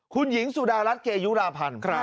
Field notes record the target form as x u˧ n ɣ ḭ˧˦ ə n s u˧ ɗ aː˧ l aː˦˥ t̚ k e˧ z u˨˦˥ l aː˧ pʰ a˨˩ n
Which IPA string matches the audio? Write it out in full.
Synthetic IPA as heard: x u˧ n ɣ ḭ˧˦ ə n s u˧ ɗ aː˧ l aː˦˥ t̚ k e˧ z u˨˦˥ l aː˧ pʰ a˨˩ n